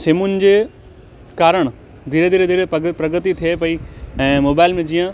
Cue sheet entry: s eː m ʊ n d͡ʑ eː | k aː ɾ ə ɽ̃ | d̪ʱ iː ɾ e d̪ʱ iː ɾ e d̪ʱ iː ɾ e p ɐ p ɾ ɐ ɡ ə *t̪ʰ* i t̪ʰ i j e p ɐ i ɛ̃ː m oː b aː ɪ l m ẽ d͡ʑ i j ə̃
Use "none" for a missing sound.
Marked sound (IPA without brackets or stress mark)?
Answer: t̪